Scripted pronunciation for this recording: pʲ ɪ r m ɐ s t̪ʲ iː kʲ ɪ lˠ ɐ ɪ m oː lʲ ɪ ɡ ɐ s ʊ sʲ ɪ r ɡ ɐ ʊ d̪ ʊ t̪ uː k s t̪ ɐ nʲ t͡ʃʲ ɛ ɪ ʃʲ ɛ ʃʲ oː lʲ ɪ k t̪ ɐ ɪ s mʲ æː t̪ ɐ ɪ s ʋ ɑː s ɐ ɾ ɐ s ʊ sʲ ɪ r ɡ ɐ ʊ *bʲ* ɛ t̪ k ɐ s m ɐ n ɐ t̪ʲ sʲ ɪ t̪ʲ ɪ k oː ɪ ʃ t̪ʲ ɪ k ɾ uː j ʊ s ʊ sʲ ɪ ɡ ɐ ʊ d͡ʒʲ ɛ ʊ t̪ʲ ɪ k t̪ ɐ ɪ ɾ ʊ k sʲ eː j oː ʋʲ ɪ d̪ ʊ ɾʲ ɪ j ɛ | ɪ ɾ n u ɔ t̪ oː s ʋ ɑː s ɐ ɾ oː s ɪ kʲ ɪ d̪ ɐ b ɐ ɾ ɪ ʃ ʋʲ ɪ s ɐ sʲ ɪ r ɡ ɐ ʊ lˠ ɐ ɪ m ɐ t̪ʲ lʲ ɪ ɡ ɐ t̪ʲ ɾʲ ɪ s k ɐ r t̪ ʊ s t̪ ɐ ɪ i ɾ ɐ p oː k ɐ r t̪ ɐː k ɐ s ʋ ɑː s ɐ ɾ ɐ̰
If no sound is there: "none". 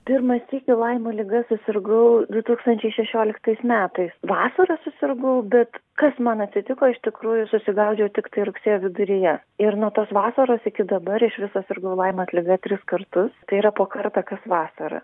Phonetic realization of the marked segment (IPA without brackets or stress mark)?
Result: bʲ